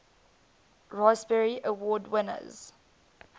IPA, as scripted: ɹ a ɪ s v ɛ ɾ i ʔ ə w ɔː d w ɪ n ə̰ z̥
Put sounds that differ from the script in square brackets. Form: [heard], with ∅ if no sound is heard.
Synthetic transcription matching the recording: ɹ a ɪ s [b] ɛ [ɹ] i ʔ ə w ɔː d w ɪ n ə̰ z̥